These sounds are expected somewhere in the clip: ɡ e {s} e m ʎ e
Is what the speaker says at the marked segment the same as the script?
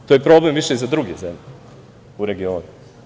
no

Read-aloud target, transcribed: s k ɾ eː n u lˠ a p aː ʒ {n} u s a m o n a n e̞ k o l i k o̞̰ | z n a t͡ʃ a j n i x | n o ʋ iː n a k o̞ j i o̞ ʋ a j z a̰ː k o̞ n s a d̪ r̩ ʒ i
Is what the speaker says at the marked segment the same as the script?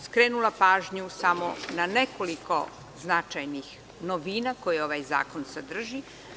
no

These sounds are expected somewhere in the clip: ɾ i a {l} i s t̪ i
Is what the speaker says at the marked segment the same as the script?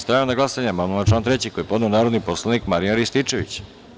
no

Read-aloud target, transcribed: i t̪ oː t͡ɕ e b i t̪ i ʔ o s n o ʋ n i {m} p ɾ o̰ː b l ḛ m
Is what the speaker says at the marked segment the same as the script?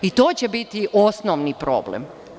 no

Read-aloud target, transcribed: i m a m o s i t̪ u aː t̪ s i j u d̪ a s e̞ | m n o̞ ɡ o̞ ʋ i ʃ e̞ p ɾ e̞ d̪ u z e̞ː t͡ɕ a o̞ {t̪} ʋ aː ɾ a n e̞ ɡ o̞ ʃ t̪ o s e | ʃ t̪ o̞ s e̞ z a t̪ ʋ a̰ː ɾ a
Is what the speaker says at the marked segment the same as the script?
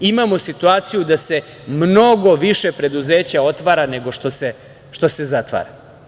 yes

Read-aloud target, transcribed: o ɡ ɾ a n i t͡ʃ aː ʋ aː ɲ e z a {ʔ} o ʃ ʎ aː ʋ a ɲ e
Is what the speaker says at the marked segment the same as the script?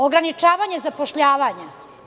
no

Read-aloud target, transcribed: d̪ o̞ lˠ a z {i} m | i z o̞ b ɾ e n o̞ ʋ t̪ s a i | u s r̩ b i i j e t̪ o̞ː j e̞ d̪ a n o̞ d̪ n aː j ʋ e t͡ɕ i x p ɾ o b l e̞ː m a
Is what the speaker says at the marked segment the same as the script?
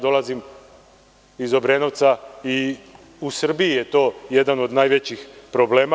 yes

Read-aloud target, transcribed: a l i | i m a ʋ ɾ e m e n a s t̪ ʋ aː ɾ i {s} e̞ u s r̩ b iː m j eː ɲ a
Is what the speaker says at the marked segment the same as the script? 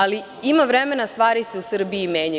yes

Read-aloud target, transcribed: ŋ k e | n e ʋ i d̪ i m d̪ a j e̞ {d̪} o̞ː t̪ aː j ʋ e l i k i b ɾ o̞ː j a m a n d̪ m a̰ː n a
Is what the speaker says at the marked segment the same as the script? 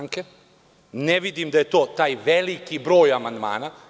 no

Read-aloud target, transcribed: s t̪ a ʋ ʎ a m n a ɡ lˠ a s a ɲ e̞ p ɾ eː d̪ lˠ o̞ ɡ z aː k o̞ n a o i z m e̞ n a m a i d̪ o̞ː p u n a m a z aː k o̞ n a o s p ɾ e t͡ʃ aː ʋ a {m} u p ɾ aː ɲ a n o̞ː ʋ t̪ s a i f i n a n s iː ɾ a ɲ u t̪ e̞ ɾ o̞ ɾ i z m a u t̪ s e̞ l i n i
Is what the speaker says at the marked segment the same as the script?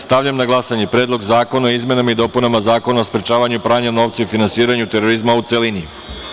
no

